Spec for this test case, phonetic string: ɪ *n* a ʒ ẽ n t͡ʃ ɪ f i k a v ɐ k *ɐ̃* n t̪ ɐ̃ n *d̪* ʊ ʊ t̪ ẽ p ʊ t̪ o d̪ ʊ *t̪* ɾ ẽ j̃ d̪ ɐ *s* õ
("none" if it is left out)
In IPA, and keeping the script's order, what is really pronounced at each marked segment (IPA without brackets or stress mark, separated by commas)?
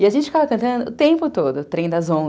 none, ɐ̃, d̪, t̪, z